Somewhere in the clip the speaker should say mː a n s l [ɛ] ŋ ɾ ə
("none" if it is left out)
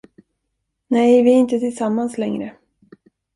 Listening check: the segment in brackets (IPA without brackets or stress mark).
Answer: ɛ